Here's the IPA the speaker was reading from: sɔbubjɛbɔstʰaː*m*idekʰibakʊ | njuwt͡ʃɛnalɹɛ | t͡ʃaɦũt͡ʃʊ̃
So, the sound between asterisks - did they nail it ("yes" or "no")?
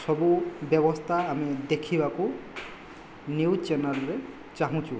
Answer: yes